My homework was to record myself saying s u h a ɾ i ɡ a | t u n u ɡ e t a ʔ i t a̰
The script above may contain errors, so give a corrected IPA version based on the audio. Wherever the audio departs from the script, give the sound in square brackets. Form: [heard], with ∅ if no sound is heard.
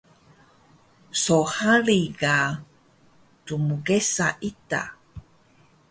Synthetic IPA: s [o] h a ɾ i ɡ a | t u [m] u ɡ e [s] a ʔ i t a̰